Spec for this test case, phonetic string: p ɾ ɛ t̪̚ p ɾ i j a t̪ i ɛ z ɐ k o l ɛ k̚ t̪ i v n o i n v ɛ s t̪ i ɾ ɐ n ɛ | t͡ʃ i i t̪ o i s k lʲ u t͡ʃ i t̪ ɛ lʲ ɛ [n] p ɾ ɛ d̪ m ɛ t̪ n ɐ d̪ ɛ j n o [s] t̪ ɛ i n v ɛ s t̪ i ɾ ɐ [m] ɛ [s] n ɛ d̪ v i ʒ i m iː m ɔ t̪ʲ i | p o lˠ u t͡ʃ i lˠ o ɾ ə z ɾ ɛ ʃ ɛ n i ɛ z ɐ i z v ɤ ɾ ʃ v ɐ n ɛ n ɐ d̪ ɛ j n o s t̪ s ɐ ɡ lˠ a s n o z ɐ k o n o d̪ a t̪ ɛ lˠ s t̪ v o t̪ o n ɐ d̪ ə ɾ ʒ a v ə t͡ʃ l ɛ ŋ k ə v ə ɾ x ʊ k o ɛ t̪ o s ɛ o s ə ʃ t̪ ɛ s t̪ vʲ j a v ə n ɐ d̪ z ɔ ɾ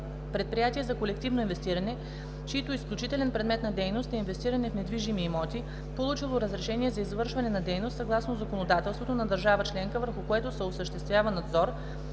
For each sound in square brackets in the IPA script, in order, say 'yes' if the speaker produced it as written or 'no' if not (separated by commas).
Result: yes, yes, no, no